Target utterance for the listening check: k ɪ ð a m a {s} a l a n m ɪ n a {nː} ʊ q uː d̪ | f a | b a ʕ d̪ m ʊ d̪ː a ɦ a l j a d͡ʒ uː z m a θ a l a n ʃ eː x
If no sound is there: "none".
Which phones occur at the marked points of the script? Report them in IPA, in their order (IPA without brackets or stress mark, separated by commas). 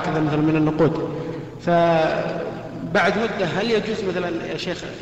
θ, nː